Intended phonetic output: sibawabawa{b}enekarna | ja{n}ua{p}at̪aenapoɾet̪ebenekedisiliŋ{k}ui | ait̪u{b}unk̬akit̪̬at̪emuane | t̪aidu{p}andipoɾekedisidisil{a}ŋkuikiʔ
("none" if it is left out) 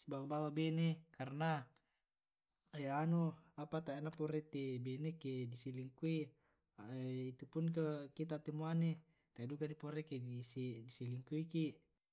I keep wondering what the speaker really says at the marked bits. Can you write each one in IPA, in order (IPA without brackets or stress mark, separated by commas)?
b, n, p, k, p, k, i